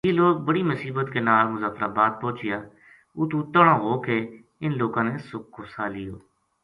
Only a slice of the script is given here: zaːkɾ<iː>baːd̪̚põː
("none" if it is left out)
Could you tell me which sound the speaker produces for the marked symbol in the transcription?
aː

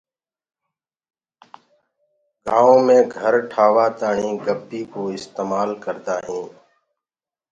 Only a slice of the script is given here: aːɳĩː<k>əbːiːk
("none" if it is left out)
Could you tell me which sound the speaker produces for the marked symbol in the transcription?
ɡ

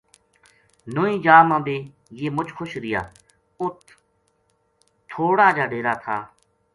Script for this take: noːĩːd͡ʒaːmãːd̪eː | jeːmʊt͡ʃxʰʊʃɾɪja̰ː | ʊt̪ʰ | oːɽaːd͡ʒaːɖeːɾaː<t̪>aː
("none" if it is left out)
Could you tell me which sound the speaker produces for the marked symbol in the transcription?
t̪ʰ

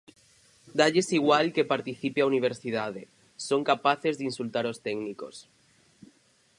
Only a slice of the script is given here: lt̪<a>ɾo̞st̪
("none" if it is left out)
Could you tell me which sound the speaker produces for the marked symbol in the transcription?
a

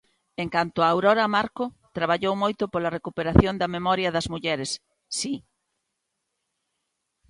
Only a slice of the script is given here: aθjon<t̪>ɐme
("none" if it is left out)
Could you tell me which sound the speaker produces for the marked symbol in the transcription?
d̪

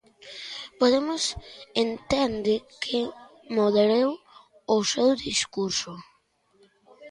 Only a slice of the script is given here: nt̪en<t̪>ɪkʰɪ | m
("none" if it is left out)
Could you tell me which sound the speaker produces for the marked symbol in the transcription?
d̪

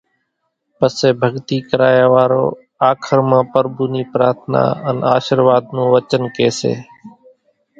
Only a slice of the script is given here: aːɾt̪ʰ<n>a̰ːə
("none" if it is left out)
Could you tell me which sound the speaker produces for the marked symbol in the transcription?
n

